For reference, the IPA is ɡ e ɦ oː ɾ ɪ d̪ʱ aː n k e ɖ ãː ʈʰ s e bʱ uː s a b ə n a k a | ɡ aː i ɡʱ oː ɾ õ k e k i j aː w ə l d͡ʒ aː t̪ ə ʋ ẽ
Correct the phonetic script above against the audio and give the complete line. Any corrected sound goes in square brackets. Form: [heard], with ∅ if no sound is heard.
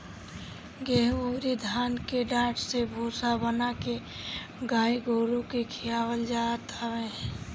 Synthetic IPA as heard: ɡ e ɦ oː ɾ [i] d̪ʱ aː n k e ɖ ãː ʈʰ s e bʱ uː s a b ə n a k [e] | ɡ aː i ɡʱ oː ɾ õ k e [kʰ] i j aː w ə l d͡ʒ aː t̪ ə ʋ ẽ

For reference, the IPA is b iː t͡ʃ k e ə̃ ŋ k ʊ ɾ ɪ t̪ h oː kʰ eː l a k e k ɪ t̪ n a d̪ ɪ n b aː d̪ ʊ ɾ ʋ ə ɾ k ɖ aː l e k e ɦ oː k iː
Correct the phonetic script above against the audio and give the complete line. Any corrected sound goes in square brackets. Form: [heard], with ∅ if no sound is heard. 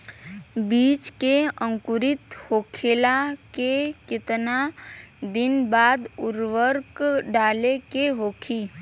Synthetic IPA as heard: b iː t͡ʃ k e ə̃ ŋ k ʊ ɾ ɪ t̪ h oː kʰ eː l a k e k ɪ t̪ n a d̪ ɪ n b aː d̪ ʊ ɾ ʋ ə ɾ k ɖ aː l e k e ɦ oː [kʰ] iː

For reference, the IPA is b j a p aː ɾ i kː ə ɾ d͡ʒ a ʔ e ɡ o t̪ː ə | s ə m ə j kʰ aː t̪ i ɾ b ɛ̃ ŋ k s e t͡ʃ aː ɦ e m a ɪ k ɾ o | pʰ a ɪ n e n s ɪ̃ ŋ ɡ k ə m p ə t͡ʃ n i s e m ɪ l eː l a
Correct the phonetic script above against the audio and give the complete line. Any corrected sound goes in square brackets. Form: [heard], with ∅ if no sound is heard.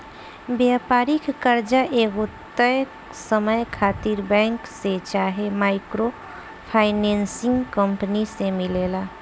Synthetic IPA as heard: b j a p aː ɾ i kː ə ɾ d͡ʒ a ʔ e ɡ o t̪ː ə | s ə m ə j kʰ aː t̪ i ɾ b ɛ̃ ŋ k s e t͡ʃ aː ɦ e m a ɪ k ɾ o | pʰ a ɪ n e n s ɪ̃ ŋ ɡ k ə m p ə [∅] n i s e m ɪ l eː l a

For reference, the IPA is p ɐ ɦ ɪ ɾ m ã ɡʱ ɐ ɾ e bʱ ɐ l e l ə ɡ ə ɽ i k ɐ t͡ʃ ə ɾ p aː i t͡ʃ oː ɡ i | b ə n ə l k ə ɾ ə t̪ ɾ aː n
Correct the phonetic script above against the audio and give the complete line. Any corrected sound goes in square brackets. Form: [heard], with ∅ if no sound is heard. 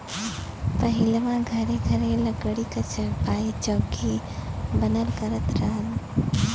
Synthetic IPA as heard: p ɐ ɦ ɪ [l] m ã ɡʱ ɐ ɾ e [ɡʱ] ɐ [ɾ] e l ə ɡ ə ɽ i k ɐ t͡ʃ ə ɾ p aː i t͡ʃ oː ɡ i | b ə n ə l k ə ɾ ə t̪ ɾ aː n

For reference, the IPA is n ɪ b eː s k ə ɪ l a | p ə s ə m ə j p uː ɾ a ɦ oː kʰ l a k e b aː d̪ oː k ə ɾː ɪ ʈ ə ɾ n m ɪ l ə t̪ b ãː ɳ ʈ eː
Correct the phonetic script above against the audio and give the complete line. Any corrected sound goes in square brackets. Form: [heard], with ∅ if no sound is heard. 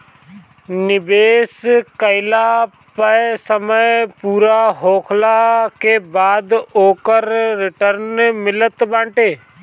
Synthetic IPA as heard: n ɪ b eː s k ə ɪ l a | p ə s ə m ə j p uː ɾ a ɦ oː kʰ l a k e b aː d̪ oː k ə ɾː ɪ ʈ ə ɾ n m ɪ l ə t̪ b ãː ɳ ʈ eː

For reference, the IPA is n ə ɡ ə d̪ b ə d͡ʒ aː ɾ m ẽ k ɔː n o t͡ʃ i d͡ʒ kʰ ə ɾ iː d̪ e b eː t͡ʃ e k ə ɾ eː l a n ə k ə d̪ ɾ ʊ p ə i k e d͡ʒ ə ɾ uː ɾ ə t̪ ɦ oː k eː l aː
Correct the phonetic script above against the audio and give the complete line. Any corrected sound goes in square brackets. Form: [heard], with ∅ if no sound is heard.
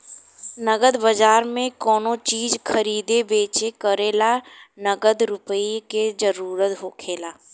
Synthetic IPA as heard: n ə ɡ ə d̪ b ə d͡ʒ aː ɾ m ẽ k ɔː n o t͡ʃ [iː] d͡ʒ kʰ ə ɾ iː d̪ e b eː t͡ʃ e k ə ɾ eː l a n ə [ɡ] ə d̪ ɾ ʊ p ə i k e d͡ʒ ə ɾ uː ɾ ə t̪ ɦ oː [kʰ] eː l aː

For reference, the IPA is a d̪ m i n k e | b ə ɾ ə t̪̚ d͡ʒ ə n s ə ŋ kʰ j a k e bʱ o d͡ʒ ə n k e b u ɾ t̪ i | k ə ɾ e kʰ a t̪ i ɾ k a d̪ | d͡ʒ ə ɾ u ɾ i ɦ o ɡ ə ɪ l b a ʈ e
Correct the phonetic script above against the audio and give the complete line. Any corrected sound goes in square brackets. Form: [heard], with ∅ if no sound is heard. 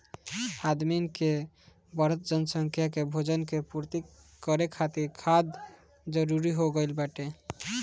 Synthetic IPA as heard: a d̪ m i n k e | b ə ɾ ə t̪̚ d͡ʒ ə n s ə ŋ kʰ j a k e bʱ o d͡ʒ ə n k e [p] u ɾ t̪ i | k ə ɾ e kʰ a t̪ i ɾ [kʰ] a d̪ | d͡ʒ ə ɾ u ɾ i ɦ o ɡ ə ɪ l b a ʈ e

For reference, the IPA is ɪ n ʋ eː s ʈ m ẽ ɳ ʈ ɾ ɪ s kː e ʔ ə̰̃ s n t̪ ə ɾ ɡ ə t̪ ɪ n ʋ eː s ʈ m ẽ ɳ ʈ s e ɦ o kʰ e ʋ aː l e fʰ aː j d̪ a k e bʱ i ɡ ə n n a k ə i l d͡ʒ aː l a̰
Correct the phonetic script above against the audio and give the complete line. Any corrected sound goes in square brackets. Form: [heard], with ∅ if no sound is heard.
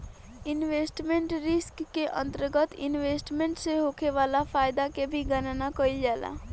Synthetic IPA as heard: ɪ n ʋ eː s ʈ m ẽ ɳ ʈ ɾ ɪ s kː e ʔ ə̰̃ [∅] n t̪ ə ɾ ɡ ə t̪ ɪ n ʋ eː s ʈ m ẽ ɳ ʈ s e ɦ o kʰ e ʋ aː l [a] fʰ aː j d̪ a k e bʱ i ɡ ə n n a k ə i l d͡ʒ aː l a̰

